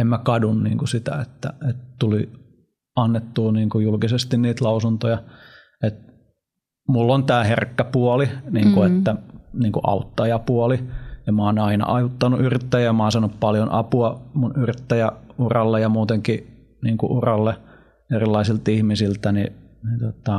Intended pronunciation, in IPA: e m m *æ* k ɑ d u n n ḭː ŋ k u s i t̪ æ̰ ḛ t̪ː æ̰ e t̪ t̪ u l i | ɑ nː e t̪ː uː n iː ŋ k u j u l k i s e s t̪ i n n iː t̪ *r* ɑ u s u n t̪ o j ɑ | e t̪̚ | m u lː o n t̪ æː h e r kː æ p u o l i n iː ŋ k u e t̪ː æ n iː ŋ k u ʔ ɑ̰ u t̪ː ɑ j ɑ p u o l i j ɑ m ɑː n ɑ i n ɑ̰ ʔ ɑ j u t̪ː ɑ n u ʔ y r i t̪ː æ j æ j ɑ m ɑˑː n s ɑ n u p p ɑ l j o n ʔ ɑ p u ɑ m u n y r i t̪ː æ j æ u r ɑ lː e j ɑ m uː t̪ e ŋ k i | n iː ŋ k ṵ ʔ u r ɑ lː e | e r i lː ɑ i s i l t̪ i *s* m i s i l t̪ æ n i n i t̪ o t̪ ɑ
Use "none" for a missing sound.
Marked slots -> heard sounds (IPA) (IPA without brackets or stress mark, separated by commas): æ, l, h